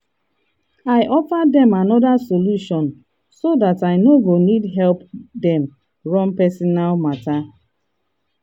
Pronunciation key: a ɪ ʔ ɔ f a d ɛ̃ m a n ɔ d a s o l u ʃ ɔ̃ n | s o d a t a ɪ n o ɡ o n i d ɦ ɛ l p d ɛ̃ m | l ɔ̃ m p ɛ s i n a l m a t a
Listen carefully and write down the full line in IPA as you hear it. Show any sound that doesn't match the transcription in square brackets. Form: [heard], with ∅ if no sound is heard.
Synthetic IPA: a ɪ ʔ ɔ f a d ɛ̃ m a n ɔ d a s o l u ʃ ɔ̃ n | s o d a t a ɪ n o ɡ o n i d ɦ ɛ l p d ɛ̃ m | [ɹ] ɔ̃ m p ɛ s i n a l m a t a